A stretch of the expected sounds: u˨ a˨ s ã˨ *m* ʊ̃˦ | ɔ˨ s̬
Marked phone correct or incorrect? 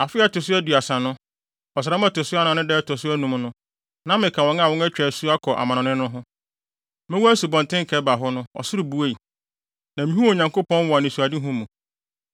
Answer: incorrect